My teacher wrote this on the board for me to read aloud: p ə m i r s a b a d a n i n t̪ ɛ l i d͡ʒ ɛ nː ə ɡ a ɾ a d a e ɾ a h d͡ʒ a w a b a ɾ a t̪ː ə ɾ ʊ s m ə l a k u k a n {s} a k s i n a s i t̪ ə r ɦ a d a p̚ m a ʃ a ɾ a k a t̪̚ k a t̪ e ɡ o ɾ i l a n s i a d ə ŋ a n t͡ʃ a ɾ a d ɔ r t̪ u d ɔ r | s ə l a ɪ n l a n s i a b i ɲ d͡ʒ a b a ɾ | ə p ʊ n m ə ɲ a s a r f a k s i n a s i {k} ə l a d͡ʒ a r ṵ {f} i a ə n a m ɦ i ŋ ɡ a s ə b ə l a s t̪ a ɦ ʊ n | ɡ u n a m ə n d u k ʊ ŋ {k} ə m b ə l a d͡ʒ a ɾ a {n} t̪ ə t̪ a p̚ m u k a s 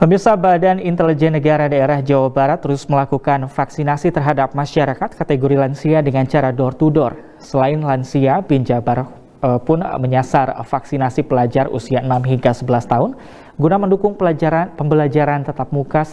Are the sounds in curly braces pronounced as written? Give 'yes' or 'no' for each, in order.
no, no, no, no, yes

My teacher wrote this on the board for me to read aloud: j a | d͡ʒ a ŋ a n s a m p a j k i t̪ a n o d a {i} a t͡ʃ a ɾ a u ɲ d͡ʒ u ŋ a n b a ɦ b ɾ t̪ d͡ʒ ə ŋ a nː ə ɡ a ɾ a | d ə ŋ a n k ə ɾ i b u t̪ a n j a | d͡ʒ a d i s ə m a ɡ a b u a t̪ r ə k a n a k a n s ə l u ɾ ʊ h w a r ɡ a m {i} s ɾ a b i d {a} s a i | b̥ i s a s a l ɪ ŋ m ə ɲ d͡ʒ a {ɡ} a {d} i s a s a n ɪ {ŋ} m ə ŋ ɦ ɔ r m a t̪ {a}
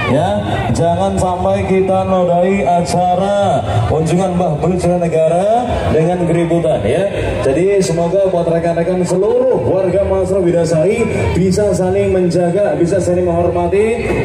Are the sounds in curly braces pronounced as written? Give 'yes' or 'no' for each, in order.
yes, no, yes, yes, no, yes, no

